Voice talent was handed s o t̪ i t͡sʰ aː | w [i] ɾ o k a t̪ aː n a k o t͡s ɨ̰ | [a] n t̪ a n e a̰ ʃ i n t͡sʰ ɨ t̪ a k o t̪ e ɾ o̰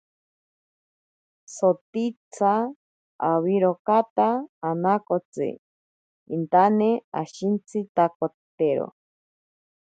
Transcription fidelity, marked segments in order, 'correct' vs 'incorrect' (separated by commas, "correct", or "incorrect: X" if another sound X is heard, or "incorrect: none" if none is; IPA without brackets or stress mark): correct, incorrect: i